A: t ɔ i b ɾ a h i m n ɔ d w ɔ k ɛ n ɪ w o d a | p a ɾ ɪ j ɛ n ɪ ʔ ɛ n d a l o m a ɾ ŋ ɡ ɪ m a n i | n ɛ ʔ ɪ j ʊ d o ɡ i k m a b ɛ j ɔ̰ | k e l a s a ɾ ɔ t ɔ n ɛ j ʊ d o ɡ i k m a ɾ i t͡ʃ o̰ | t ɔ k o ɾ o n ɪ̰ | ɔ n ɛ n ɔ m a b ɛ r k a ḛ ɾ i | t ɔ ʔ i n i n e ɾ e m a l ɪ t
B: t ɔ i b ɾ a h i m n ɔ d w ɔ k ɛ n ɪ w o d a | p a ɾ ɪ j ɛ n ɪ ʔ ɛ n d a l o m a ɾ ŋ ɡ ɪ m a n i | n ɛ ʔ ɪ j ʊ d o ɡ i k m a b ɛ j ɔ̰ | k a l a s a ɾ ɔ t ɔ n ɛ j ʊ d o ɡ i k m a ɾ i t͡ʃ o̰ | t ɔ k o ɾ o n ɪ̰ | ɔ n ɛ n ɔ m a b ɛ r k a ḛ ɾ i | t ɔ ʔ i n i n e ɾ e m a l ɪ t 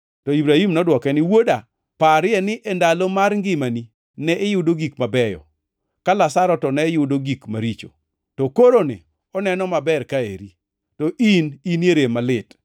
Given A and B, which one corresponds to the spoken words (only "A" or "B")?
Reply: B